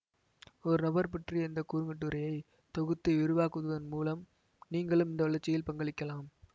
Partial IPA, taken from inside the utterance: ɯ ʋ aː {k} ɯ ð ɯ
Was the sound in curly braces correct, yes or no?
yes